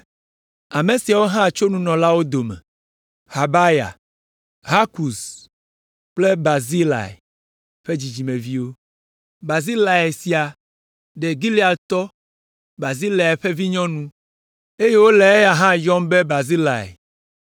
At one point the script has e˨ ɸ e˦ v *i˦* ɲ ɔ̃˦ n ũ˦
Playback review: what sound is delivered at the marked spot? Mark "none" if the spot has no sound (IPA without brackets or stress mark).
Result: i˦